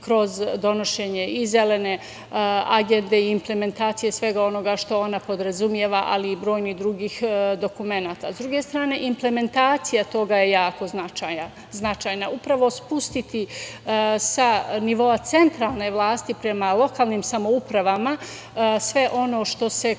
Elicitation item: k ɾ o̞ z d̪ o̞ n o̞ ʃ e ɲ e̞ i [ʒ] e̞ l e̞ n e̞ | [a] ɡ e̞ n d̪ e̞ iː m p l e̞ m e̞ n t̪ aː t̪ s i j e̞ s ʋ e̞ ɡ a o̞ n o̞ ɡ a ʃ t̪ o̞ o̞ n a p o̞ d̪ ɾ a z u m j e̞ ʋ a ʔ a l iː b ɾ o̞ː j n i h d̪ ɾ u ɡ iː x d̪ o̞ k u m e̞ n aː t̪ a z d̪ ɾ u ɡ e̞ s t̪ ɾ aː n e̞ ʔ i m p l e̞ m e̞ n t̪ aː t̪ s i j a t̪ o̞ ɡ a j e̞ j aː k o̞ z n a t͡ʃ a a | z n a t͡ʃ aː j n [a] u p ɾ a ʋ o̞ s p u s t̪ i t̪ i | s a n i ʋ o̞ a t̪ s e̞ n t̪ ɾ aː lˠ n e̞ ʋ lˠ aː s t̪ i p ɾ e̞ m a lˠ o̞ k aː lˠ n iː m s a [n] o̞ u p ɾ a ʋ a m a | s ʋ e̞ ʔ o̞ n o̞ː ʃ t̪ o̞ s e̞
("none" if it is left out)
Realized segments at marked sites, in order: z, a, a, m

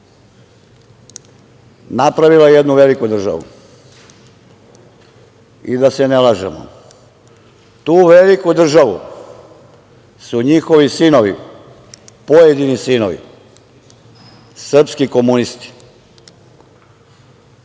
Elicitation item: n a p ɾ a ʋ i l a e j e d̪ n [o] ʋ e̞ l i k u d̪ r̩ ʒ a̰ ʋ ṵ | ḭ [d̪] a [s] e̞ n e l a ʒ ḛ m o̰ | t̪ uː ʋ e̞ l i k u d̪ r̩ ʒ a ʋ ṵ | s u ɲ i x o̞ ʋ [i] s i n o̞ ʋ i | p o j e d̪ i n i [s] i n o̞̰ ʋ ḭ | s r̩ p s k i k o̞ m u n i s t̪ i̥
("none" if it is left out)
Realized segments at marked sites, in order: u, d̪, s, i, s

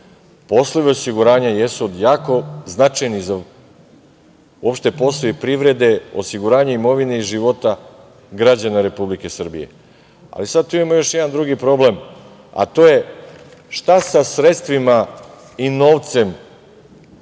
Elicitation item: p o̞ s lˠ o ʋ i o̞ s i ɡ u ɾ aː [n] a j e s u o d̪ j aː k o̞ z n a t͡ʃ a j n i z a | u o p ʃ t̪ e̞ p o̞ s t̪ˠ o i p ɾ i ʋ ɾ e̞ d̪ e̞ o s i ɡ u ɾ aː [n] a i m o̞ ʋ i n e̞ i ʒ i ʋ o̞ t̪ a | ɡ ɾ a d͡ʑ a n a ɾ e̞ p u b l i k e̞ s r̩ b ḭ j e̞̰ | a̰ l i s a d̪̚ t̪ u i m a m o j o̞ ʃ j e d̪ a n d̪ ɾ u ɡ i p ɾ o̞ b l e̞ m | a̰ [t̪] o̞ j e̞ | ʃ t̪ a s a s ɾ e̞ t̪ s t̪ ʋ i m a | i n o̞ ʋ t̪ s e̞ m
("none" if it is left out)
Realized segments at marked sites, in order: ɲ, ɲ, t̪

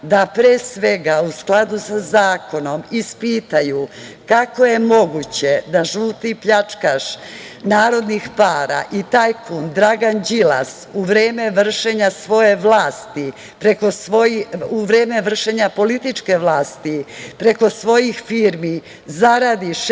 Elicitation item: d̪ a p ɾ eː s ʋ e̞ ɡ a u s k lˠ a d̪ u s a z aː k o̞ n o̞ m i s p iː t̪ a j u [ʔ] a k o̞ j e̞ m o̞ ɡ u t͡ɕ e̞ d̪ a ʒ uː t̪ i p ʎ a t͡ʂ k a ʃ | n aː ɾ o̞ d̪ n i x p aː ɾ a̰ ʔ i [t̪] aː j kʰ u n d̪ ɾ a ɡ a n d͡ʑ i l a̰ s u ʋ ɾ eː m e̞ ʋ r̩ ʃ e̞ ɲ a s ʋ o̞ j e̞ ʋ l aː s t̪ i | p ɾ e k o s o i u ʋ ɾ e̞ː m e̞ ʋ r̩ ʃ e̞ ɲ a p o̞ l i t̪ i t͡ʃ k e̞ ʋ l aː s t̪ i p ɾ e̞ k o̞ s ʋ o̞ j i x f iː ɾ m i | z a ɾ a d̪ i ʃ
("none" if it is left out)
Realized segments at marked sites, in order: k, t̪

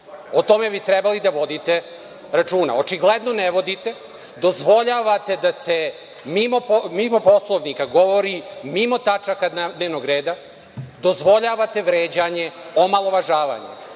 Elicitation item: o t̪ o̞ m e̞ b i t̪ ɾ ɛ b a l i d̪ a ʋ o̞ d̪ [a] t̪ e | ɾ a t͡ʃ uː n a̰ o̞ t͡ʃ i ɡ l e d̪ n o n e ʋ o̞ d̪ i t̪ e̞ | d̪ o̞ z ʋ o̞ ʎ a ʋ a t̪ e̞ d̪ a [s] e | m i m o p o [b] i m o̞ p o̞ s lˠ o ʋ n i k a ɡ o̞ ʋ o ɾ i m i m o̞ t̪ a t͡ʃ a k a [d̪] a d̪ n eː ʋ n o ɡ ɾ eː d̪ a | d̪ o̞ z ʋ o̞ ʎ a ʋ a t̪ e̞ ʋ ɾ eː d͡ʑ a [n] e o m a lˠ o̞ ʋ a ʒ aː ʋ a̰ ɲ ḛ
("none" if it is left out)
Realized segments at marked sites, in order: i, s, m, d̪, ɲ

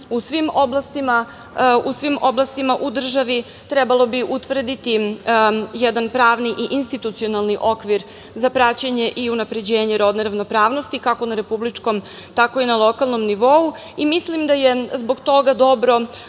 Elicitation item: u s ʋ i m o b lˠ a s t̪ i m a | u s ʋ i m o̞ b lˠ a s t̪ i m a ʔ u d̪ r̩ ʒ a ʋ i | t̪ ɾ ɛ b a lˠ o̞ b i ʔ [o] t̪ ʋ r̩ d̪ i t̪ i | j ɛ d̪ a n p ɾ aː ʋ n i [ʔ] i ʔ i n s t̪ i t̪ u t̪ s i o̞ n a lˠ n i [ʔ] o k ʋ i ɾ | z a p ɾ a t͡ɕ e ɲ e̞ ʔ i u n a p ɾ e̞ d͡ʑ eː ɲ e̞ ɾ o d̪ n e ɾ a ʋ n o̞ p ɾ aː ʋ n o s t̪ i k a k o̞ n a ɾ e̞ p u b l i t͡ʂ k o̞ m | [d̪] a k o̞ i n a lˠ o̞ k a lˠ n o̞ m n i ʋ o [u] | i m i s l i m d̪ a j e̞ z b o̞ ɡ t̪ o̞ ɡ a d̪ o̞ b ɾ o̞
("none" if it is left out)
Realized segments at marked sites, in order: u, ʔ, ʔ, t̪, u

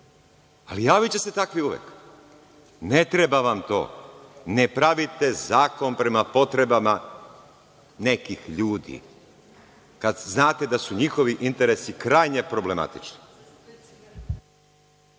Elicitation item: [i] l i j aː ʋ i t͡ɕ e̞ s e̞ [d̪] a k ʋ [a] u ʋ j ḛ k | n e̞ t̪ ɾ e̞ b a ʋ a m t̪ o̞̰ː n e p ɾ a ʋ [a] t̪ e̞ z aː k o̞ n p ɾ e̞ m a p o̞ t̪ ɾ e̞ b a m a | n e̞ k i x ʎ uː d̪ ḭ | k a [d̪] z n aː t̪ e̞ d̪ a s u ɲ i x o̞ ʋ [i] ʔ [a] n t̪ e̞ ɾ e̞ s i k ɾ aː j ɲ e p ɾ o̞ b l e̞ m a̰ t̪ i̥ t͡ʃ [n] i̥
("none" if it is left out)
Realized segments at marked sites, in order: a, t̪, i, i, d̪, i, i, n

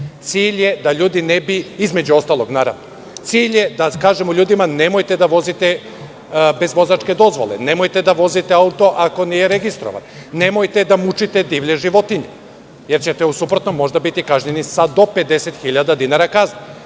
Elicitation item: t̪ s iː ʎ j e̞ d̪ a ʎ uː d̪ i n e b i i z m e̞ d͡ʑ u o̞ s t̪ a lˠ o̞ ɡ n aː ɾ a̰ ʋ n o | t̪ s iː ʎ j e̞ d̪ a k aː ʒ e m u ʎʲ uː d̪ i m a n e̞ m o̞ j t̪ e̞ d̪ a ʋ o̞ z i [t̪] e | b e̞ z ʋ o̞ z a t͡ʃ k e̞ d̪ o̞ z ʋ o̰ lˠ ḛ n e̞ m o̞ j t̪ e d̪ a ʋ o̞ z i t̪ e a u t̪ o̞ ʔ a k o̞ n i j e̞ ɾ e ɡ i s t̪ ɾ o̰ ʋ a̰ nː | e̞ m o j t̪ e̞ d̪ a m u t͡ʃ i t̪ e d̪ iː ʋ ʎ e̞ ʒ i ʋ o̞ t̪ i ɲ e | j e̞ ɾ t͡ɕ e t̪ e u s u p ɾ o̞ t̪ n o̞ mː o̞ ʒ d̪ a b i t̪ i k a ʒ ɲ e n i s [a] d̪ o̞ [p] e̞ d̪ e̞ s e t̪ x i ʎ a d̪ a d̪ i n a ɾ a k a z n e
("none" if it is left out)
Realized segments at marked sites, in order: t̪, a, p

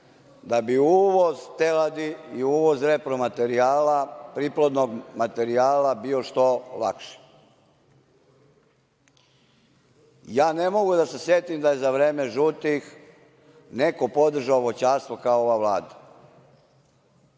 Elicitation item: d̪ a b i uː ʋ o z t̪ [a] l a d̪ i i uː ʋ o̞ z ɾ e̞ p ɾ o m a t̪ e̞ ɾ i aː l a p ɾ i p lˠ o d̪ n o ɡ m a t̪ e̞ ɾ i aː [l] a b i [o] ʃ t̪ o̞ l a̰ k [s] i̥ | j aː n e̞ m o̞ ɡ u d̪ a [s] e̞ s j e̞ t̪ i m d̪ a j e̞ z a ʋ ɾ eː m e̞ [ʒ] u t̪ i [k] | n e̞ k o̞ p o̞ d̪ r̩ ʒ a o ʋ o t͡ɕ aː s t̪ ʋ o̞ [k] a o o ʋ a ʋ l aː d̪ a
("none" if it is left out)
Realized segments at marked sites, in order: e, l, o, ʃ, s, ʒ, x, k

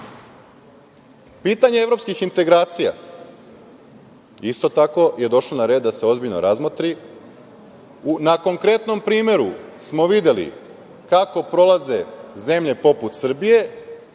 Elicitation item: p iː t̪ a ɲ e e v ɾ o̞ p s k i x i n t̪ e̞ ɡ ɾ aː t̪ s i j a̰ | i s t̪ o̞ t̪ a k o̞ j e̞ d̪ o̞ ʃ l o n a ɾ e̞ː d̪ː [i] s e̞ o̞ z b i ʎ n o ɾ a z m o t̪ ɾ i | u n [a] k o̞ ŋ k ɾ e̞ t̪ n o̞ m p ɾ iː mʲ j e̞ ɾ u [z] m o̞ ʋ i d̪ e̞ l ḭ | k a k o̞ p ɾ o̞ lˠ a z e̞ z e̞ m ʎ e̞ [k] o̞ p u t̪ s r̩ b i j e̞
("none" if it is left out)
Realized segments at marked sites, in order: a, a, s, p

